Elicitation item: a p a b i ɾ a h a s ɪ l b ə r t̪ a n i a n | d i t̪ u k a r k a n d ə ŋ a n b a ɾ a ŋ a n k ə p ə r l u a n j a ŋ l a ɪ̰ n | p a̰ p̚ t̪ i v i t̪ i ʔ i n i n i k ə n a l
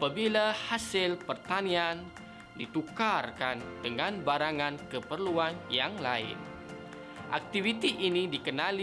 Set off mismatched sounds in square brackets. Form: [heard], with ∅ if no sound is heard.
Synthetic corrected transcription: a p a b i [l] a h a s ɪ l [p] ə r t̪ a n i a n | d i t̪ u k a r k a n d ə ŋ a n b a ɾ a ŋ a n k ə p ə r l u a n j a ŋ l a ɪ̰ n | [ʔ] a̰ [k̚] t̪ i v i t̪ i ʔ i n i [d] i k ə n a l